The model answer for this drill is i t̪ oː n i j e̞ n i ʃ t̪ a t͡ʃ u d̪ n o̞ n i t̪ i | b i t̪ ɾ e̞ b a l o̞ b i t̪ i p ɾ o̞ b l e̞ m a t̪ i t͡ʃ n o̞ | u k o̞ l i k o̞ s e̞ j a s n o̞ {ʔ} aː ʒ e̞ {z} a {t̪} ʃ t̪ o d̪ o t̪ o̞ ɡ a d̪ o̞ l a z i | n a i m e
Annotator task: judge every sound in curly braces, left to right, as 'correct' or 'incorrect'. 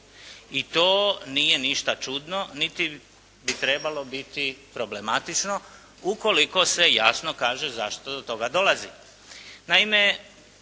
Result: incorrect: k, correct, incorrect: none

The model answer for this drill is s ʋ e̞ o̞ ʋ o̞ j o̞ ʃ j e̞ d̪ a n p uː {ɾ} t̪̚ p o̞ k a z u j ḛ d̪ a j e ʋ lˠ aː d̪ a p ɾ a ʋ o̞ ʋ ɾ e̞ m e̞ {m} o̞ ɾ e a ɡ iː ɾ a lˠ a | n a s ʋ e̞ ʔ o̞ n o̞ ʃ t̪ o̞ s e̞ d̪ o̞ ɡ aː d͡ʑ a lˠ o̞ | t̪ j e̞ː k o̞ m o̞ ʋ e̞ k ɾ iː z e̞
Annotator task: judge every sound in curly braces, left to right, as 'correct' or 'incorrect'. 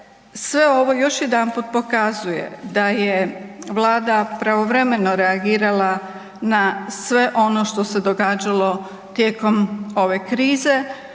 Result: incorrect: none, incorrect: n

